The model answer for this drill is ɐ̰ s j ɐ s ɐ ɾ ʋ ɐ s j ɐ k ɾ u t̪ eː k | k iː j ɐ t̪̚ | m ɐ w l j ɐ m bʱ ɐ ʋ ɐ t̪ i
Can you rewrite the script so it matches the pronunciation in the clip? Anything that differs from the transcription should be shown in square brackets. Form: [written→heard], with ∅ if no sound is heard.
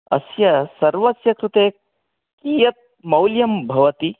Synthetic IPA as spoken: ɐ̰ s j ɐ s ɐ ɾ ʋ ɐ s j ɐ k ɾ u t̪ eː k | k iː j ɐ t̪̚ | m ɐ w l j ɐ m bʱ ɐ ʋ ɐ t̪ i